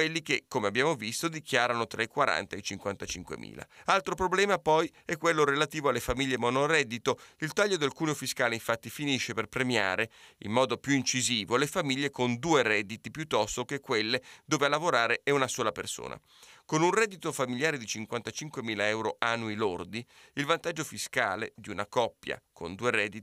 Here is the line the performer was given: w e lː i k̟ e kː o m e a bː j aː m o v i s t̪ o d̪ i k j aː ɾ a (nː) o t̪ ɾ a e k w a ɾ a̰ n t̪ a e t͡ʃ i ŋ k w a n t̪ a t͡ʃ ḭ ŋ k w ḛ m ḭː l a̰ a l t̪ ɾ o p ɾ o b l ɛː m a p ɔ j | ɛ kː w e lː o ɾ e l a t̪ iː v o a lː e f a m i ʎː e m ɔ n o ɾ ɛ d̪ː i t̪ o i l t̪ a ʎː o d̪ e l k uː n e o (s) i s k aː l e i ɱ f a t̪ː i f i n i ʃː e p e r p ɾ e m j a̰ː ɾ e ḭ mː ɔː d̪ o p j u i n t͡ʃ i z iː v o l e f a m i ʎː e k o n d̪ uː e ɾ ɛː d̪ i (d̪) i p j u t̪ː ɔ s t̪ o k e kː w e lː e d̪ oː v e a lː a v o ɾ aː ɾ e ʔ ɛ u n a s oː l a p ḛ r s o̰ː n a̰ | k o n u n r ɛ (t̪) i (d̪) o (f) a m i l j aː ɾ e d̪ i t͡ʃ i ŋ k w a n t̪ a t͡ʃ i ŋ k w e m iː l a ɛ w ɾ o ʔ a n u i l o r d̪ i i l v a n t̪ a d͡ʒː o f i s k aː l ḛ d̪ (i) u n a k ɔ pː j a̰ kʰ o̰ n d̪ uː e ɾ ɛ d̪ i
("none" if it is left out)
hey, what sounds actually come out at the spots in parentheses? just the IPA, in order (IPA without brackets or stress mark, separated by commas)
n, f, t̪, d̪, t̪, f, i